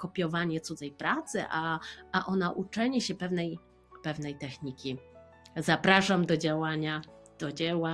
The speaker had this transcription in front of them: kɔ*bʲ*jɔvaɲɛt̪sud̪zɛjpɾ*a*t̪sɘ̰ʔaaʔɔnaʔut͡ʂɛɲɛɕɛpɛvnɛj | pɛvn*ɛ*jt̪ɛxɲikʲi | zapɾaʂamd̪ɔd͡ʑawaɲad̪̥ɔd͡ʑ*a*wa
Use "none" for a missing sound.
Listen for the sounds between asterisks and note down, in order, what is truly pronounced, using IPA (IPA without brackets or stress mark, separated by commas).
pʲ, a, ɛ, ɛ